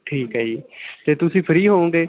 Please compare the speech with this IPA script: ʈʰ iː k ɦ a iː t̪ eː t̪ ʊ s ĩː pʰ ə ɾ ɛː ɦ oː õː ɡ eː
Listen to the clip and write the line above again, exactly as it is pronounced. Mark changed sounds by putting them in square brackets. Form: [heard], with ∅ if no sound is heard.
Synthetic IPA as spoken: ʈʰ iː k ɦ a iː t̪ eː t̪ ʊ s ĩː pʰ ə ɾ [iː] ɦ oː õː ɡ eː

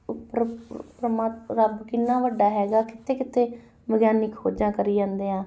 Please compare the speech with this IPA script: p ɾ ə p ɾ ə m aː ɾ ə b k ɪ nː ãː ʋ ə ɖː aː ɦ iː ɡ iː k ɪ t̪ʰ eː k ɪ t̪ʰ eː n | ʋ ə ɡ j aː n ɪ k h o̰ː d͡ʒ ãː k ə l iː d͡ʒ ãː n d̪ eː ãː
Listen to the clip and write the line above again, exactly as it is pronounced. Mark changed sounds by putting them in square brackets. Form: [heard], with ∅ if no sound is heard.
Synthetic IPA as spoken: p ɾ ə p ɾ ə m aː ɾ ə b k ɪ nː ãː ʋ ə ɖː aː ɦ [ɛː] ɡ [aː] k ɪ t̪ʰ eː k ɪ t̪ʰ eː [∅] | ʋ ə ɡ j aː n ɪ k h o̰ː d͡ʒ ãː k ə [ɾ] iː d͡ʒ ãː n d̪ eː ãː

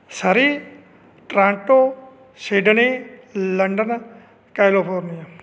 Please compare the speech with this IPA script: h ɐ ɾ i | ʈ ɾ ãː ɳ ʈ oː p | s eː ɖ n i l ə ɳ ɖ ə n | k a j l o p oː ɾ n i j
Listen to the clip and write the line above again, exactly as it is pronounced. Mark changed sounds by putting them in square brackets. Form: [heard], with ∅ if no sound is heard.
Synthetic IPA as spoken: [s] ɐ ɾ i | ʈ ɾ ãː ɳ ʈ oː [∅] | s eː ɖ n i l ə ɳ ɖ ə n | k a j l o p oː ɾ n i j

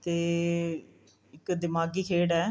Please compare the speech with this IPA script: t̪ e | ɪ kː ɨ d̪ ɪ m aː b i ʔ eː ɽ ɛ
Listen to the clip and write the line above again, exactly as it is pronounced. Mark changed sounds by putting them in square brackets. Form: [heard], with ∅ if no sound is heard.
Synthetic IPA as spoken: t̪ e | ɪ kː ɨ d̪ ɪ m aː [ɡ] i [k] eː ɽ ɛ

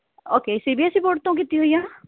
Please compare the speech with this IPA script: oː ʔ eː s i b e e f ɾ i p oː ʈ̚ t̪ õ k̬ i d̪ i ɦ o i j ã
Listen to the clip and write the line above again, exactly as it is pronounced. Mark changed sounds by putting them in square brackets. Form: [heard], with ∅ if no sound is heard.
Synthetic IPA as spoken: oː [k] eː s i b [i] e [s] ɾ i p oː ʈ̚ t̪ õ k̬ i [t̪] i ɦ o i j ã

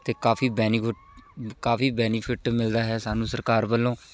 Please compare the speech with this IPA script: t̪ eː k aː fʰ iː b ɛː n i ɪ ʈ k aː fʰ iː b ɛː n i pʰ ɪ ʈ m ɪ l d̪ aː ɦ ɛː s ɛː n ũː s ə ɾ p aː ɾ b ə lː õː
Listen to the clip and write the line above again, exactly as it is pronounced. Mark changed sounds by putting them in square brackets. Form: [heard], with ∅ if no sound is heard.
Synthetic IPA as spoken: t̪ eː k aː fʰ iː b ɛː n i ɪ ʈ k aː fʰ iː b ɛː n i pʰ ɪ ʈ m ɪ l d̪ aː ɦ ɛː s [aː] n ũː s ə ɾ [k] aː ɾ b ə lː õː

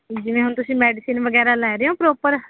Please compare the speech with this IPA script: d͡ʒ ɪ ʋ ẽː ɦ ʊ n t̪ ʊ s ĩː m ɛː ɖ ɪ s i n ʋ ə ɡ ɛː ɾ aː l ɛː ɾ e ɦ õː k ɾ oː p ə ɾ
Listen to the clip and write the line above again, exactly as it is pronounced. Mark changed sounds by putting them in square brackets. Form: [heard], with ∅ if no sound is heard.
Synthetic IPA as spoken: d͡ʒ ɪ ʋ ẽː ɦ ʊ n t̪ ʊ s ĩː m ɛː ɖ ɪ s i n ʋ ə ɡ ɛː ɾ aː l ɛː ɾ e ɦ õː [p] ɾ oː p ə ɾ

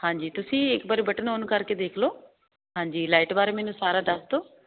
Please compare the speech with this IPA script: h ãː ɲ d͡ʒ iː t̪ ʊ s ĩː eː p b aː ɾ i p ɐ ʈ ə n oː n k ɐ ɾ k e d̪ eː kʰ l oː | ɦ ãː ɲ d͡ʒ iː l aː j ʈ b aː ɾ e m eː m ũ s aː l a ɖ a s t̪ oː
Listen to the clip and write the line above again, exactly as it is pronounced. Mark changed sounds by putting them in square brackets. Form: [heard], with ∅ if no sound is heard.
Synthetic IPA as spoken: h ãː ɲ d͡ʒ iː t̪ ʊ s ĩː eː [k] b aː ɾ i [b] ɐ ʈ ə n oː n k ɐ ɾ k e d̪ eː kʰ l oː | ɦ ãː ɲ d͡ʒ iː l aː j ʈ b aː ɾ e m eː [n] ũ s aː [ɾ] a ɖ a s t̪ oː

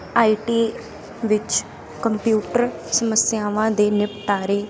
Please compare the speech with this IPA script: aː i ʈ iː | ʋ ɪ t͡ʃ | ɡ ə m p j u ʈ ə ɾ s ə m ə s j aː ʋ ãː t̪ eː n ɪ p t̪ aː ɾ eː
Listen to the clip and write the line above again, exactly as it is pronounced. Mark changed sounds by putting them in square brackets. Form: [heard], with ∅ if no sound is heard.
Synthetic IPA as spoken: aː i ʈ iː | ʋ ɪ t͡ʃ | [k] ə m p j [uː] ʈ ə ɾ s ə m ə s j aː ʋ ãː [d̪] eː n ɪ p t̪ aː ɾ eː

